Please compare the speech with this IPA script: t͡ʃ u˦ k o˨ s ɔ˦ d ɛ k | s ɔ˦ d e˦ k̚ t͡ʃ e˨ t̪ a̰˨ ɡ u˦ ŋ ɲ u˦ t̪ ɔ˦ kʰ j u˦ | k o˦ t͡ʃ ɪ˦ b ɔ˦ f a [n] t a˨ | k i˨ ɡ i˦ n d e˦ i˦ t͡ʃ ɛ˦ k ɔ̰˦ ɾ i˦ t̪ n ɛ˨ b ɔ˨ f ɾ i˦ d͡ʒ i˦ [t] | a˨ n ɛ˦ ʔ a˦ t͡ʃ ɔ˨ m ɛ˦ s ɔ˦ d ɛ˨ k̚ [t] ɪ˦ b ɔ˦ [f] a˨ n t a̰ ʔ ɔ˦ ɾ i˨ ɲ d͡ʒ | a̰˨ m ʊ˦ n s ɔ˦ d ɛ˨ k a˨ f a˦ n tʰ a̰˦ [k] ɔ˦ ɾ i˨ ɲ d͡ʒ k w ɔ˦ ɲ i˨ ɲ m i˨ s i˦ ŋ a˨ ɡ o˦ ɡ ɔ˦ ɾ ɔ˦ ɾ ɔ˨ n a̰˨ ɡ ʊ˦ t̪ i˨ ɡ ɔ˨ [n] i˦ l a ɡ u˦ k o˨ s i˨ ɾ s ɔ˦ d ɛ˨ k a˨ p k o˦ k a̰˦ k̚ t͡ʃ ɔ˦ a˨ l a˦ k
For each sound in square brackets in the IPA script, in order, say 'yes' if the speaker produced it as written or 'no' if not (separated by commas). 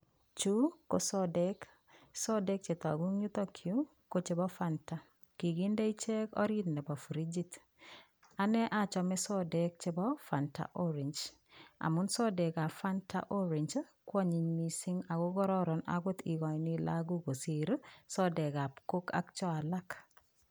yes, yes, no, yes, no, yes